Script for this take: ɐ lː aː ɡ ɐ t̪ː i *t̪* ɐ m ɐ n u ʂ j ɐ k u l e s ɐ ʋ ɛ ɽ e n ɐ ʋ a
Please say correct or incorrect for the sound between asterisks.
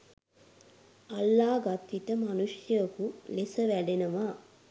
correct